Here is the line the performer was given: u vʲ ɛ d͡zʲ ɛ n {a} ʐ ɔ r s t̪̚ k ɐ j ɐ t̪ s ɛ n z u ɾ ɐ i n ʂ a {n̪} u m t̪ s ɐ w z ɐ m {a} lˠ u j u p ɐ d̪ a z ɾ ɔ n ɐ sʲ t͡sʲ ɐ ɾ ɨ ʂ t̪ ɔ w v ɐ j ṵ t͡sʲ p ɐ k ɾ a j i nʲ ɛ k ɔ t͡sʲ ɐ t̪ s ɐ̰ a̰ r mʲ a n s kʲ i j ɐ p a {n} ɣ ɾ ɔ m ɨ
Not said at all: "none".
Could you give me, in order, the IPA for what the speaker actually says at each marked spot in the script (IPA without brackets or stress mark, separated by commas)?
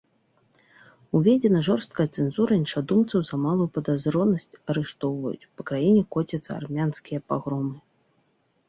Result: ɐ, d̪, a, none